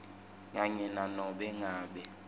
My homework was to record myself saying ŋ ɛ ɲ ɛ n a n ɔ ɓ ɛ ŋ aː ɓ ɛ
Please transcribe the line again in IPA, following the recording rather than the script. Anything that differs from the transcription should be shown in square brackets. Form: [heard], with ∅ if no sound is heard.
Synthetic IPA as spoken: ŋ [a] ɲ ɛ n a n ɔ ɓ ɛ ŋ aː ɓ ɛ